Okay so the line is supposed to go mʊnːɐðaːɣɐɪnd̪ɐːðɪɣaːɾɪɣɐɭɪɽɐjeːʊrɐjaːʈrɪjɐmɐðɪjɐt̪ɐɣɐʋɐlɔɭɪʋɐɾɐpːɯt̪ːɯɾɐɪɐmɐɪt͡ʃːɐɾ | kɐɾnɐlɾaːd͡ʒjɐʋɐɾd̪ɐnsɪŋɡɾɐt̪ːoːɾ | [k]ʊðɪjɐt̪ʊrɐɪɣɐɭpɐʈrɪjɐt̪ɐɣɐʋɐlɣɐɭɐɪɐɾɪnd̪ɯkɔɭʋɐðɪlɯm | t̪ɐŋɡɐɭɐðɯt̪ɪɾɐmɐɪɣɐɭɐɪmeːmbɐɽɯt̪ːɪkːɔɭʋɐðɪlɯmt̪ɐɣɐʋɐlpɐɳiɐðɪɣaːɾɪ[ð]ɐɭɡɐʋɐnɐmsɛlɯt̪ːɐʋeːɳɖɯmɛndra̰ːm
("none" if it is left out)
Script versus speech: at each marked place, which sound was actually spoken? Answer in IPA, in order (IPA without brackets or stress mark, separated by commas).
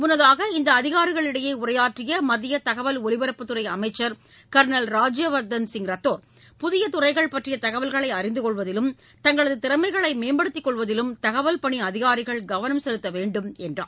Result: p, ɣ